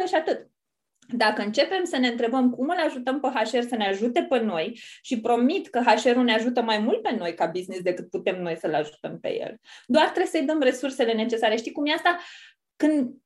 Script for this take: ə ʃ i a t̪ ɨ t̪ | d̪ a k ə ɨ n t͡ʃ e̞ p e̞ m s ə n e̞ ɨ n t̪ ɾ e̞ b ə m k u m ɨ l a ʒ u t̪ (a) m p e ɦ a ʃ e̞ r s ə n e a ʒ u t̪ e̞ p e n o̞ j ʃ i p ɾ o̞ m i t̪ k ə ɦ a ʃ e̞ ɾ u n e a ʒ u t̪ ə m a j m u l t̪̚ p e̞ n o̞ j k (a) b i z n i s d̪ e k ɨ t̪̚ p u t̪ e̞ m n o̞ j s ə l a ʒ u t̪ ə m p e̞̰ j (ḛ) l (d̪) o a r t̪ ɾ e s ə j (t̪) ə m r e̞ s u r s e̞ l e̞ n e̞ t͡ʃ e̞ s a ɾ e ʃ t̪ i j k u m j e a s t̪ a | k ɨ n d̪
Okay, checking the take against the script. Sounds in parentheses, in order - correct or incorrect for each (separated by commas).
incorrect, correct, correct, correct, incorrect